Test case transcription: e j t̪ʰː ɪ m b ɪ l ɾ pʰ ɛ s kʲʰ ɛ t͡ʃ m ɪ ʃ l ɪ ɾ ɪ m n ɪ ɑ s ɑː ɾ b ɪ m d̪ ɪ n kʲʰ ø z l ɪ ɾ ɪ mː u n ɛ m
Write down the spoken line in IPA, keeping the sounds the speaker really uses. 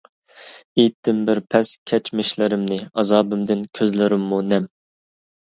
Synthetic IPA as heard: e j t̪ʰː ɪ m b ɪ ɾ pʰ ɛ s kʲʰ ɛ t͡ʃ m ɪ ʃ l ɪ ɾ ɪ m n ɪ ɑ z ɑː b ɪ m d̪ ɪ n kʲʰ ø z l ɪ ɾ ɪ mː u n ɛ m